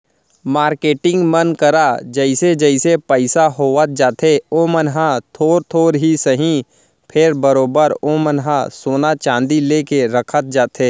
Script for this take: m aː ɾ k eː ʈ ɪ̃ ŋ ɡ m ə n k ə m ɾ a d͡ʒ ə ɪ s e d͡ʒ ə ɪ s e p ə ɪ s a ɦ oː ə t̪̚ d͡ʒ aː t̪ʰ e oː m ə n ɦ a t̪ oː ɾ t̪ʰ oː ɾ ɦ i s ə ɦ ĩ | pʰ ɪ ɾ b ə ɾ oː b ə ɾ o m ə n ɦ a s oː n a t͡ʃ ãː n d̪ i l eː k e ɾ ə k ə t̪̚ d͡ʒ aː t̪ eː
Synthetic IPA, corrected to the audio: m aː ɾ k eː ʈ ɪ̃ ŋ ɡ m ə n k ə ɾ a d͡ʒ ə ɪ s e d͡ʒ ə ɪ s e p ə ɪ s a ɦ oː ə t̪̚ d͡ʒ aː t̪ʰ e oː m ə n ɦ a t̪ʰ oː ɾ t̪ʰ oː ɾ ɦ i s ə ɦ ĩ | pʰ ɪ ɾ b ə ɾ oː b ə ɾ o m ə n ɦ a s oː n a t͡ʃ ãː n d̪ i l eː k e ɾ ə kʰ ə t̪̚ d͡ʒ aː t̪ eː